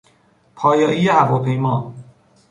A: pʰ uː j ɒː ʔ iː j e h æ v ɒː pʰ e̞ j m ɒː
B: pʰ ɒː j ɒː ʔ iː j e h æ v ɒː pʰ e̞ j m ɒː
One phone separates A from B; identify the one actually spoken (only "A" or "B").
B